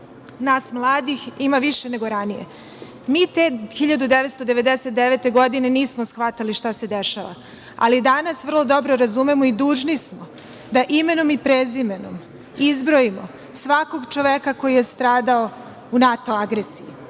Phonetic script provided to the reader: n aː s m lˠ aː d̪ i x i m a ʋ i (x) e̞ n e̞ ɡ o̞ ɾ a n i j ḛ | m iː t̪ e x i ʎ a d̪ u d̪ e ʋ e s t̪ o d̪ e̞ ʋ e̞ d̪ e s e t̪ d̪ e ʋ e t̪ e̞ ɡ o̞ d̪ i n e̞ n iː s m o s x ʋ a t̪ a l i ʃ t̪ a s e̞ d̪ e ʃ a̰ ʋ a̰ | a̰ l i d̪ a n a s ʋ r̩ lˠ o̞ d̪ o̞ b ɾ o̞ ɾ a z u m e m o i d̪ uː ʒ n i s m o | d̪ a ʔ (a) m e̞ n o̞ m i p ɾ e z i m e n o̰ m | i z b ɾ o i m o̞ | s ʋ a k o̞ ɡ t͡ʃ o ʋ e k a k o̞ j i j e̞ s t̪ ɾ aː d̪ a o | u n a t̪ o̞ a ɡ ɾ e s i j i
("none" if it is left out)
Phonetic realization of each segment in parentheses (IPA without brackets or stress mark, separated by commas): ʃ, i